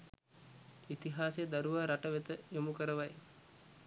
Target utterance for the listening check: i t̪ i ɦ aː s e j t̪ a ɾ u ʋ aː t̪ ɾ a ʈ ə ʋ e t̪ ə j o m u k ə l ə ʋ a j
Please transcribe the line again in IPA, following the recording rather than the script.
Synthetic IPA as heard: i t̪ i ɦ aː s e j d̪ a ɾ u ʋ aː ɾ a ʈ ə ʋ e t̪ ə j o m u k ə ɾ ə ʋ a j